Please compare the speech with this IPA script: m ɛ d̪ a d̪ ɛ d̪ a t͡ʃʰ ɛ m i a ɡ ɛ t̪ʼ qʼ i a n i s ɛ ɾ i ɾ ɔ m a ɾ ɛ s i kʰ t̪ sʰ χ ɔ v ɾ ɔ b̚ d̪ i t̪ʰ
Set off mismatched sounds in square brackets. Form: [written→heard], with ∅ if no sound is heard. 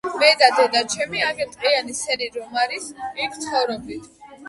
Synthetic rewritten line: m ɛ d̪ a d̪ ɛ d̪ a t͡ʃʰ ɛ m i a ɡ ɛ t̪ʼ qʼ i a n i s ɛ ɾ i ɾ ɔ m a ɾ [ɛ→i] s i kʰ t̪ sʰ χ ɔ v ɾ ɔ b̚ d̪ i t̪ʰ